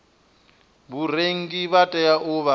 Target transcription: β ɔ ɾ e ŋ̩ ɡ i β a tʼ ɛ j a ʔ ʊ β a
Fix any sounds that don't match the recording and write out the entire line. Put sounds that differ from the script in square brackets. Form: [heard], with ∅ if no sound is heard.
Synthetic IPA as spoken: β [u] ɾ e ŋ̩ ɡ i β a tʼ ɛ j a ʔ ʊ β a